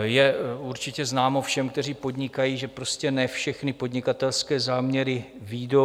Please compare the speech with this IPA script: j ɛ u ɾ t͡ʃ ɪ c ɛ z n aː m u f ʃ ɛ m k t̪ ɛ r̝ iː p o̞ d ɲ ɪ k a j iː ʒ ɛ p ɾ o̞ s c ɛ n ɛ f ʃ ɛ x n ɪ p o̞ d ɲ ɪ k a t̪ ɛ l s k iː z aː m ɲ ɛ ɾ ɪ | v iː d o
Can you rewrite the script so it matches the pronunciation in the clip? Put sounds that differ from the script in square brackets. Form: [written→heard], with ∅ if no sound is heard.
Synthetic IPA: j ɛ u ɾ t͡ʃ ɪ c ɛ z n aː m [u→o] f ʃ ɛ m k t̪ ɛ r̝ iː p o̞ d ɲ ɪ k a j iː ʒ ɛ p ɾ o̞ s c ɛ n ɛ f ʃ ɛ x n ɪ p o̞ d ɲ ɪ k a t̪ ɛ l s k [iː→ɛː] z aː m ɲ ɛ ɾ ɪ | v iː d o